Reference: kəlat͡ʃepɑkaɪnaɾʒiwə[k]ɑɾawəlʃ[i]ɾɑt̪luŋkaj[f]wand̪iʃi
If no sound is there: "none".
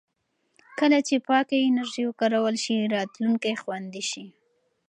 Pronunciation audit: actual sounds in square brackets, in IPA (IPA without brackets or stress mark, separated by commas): k, i, x